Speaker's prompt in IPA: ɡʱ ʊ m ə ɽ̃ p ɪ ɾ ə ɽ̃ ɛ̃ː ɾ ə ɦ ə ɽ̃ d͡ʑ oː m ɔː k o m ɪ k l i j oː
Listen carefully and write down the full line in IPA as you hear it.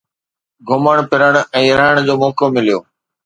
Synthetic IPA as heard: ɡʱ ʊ m ə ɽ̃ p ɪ ɾ ə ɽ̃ ɛ̃ː ɾ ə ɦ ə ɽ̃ d͡ʑ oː m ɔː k o m ɪ l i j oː